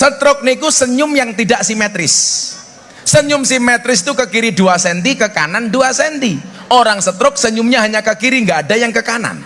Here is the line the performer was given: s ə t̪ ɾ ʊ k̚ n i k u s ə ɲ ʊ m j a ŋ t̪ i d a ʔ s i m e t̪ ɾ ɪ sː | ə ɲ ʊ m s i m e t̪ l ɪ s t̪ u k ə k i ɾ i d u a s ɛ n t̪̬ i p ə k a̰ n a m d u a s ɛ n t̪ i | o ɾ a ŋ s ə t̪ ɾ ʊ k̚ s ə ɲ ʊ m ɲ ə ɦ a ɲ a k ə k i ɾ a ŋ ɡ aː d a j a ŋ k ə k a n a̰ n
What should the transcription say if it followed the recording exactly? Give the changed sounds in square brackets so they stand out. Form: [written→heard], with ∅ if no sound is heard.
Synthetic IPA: s ə t̪ ɾ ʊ k̚ n i k u s ə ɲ ʊ m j a ŋ t̪ i d a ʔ s i m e t̪ ɾ ɪ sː | ə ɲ ʊ m s i m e t̪ [l→ɾ] ɪ s t̪ u k ə k i ɾ i d u a s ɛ n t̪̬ i [p→k] ə k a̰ n a [m→n] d u a s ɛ n t̪ i | o ɾ a ŋ s ə t̪ ɾ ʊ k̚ s ə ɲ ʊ m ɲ [ə→a] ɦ a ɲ a k ə k i ɾ [a→i] ŋ ɡ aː d a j a ŋ k ə k a n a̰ n